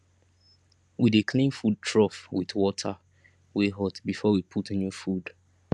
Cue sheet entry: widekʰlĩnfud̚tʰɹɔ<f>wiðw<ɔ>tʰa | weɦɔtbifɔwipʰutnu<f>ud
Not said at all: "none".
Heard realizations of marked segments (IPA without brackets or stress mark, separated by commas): f, ɔ, f